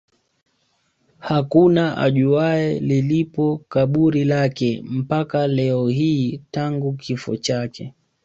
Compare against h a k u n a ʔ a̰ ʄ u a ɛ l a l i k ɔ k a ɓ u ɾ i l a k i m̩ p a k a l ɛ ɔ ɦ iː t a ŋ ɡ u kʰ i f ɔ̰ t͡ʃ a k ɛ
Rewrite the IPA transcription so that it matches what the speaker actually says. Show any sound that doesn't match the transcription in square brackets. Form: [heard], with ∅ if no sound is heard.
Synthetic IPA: h a k u n a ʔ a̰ ʄ u a ɛ l [i] l i [p] ɔ k a ɓ u ɾ i l a k [ɛ] m̩ p a k a l ɛ ɔ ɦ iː t a ŋ ɡ u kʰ i f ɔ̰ t͡ʃ a k ɛ